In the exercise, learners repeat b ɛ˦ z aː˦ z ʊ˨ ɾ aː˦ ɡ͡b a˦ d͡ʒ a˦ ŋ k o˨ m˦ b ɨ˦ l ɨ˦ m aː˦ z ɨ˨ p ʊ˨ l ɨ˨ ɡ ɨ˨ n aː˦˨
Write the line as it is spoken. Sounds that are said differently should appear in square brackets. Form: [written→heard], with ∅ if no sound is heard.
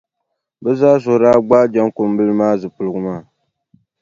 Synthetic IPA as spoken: b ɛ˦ z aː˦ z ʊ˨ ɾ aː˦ ɡ͡b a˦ d͡ʒ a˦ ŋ k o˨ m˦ b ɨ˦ l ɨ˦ m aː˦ z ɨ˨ p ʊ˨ l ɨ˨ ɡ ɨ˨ [n→m] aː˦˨